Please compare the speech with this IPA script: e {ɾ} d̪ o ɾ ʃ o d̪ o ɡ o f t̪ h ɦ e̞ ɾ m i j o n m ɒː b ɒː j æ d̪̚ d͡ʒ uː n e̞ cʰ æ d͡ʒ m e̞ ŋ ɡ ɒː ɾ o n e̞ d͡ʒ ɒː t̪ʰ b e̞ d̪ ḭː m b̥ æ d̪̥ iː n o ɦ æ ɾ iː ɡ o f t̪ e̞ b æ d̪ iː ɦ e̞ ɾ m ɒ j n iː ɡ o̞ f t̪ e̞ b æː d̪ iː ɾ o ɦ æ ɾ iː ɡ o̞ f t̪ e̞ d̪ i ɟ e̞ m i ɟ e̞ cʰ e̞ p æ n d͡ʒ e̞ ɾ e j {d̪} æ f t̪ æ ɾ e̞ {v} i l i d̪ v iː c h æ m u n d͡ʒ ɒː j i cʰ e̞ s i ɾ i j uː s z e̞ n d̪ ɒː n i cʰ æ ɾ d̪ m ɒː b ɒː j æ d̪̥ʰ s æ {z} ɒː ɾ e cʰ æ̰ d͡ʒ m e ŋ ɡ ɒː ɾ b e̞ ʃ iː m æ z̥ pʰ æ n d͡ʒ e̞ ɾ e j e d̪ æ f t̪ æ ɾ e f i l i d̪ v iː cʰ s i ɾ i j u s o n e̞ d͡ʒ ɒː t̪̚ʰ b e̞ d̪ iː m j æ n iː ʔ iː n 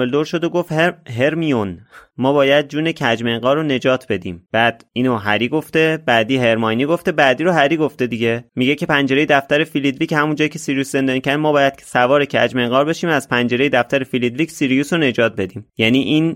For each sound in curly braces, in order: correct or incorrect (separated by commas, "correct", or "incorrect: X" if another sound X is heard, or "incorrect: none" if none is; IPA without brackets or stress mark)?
incorrect: l, correct, incorrect: f, incorrect: v